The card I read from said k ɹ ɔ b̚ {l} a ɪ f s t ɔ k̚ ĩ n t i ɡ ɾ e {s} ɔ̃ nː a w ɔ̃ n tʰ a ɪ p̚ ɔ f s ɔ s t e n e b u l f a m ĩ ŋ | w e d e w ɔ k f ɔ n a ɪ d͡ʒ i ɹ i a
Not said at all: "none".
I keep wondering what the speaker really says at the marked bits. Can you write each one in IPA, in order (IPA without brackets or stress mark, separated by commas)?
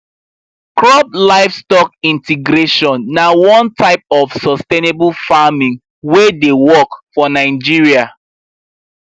l, ʃ